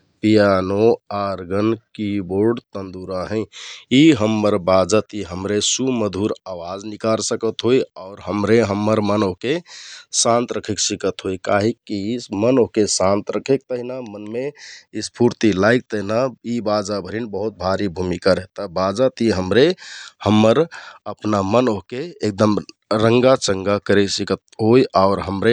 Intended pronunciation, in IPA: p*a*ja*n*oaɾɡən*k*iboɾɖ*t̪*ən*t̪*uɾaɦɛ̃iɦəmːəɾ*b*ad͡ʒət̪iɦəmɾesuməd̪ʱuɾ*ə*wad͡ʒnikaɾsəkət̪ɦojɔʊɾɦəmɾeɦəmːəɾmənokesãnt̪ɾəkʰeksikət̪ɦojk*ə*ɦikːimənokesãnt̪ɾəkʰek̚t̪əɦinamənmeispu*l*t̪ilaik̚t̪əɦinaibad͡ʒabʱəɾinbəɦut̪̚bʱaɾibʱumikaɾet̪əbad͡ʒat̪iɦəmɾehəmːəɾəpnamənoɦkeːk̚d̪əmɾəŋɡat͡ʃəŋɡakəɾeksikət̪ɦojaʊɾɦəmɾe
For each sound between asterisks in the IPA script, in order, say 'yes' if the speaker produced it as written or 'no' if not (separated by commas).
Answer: no, yes, yes, yes, no, yes, no, no, no